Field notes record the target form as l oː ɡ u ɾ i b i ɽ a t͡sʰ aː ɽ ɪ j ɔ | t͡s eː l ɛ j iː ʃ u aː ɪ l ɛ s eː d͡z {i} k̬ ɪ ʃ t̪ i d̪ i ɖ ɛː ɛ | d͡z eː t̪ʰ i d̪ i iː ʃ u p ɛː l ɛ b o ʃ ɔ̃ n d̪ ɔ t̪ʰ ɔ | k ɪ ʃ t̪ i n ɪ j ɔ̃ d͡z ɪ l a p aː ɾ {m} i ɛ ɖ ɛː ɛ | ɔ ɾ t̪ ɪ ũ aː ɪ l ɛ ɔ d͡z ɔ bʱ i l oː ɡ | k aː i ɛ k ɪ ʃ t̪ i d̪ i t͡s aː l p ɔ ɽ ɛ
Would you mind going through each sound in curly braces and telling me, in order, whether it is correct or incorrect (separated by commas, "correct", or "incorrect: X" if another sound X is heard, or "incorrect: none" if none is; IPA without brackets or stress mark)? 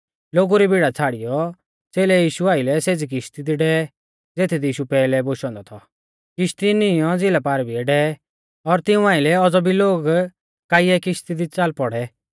correct, incorrect: b